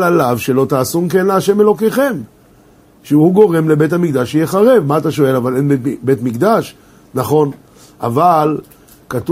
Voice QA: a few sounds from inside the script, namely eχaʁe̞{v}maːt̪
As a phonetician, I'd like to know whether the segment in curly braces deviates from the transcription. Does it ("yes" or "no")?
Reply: no